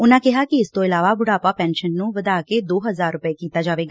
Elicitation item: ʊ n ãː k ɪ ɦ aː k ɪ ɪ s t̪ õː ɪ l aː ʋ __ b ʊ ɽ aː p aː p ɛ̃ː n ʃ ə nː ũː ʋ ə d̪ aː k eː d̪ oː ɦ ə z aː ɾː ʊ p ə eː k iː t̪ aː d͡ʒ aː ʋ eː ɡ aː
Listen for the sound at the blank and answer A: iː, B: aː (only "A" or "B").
B